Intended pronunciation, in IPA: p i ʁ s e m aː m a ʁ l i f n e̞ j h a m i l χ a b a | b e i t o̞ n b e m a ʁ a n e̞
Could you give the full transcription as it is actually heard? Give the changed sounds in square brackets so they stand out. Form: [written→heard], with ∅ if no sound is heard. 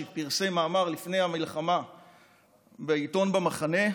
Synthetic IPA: p i ʁ s e m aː m a ʁ l i f n e̞ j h a m i l χ a [b→m] a | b e i t o̞ n b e m a [ʁ→χ] a n e̞